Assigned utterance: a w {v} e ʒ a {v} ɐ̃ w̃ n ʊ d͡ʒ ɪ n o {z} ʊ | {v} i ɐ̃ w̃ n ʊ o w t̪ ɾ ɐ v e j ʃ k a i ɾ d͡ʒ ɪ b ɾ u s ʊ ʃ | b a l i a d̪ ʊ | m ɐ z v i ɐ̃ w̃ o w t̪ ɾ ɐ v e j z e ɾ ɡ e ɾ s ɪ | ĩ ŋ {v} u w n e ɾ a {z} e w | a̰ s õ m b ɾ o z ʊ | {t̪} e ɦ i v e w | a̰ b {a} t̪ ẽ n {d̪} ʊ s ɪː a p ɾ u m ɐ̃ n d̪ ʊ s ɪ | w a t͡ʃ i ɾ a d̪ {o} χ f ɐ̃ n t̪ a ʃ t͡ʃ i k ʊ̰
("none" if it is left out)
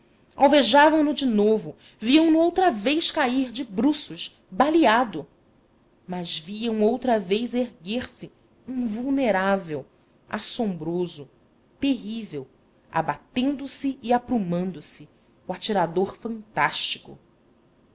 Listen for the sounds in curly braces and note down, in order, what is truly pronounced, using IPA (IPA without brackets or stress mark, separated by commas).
v, v, v, v, v, v, t̪, a, d̪, o